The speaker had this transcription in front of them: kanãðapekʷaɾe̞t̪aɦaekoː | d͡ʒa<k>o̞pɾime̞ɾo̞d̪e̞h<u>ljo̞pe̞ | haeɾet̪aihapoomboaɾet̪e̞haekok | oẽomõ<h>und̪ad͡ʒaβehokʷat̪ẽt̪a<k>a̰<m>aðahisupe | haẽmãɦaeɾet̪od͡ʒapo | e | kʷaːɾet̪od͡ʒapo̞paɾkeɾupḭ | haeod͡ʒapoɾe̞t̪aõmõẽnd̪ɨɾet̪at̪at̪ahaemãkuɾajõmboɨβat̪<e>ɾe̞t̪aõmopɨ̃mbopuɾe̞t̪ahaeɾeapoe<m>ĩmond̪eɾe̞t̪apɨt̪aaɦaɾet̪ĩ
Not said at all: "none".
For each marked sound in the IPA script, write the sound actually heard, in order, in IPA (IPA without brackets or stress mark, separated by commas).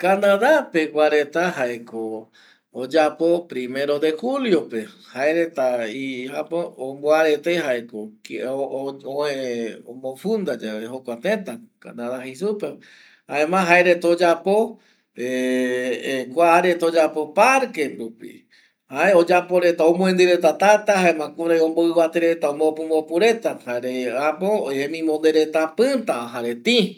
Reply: p, u, f, k, n, e, m